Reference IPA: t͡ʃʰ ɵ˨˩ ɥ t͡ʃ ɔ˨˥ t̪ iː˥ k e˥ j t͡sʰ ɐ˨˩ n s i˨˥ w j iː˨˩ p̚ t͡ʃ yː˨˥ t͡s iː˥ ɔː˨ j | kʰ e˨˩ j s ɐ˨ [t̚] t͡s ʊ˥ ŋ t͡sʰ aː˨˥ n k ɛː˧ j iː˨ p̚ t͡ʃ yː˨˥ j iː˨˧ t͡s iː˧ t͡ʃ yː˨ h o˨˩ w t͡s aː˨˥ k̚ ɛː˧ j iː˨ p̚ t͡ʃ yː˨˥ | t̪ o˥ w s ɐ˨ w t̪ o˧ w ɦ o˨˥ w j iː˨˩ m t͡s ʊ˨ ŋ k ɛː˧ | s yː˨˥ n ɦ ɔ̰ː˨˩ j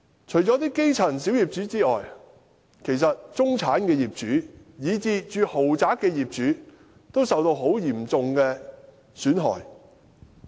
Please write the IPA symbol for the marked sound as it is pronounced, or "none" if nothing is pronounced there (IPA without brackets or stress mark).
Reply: t̚